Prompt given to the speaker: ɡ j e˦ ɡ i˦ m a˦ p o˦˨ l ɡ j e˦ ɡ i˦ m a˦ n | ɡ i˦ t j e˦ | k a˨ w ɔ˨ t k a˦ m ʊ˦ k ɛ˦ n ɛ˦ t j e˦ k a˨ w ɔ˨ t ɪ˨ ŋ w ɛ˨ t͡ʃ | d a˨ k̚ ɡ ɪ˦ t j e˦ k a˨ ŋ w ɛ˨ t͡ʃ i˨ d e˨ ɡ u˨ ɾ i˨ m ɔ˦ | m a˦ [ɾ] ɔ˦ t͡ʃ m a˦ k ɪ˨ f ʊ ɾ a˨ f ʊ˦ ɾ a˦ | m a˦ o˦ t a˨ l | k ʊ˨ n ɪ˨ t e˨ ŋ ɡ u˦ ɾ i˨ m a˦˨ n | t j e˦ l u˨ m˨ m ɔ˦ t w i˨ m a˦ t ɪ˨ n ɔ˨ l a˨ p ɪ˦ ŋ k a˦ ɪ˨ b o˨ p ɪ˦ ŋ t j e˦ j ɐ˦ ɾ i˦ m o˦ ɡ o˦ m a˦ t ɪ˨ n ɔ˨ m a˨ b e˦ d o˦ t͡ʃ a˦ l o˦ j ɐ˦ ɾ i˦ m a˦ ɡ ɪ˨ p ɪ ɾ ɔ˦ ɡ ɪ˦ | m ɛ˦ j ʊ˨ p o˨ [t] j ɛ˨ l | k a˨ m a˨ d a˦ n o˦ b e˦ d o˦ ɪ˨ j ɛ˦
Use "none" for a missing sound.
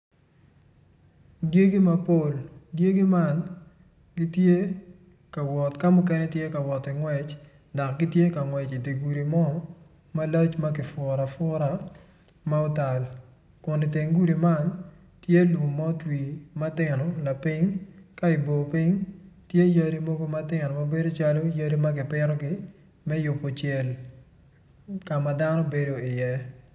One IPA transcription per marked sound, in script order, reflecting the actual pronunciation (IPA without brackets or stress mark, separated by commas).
l, t͡ʃ